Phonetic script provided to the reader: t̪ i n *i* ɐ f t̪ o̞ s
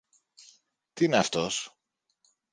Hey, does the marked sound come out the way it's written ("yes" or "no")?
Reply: no